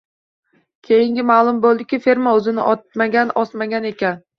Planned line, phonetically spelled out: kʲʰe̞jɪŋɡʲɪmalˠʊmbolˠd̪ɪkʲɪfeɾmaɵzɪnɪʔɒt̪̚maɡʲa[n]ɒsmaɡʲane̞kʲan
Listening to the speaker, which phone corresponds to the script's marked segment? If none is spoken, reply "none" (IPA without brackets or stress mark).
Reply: n